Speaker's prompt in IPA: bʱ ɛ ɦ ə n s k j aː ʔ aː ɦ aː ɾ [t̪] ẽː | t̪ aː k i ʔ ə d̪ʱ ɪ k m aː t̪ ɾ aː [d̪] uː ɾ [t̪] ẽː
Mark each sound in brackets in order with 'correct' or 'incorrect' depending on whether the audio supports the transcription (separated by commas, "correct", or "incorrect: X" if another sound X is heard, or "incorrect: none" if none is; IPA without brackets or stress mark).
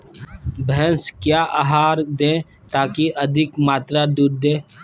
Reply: incorrect: d̪, correct, incorrect: d̪